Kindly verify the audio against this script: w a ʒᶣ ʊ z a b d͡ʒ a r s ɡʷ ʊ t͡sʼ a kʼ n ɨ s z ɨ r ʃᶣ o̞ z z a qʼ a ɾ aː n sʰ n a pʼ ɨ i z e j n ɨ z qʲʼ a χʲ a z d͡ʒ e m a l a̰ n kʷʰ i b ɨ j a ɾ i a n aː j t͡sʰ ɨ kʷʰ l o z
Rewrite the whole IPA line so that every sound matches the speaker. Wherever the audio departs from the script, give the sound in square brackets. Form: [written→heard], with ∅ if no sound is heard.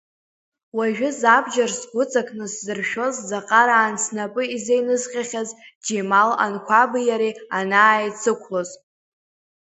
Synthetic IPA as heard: w a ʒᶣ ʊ z a b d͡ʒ a r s ɡʷ ʊ t͡sʼ a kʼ n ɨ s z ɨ r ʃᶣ o̞ z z a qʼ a ɾ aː n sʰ n a pʼ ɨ i z e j n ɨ z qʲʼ a χʲ a z d͡ʒ e m a l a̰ n kʷʰ [i→a] b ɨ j a ɾ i a n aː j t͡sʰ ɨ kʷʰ l o z